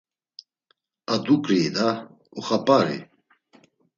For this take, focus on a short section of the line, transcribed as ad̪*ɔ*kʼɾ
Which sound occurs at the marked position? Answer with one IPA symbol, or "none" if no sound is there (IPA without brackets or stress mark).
u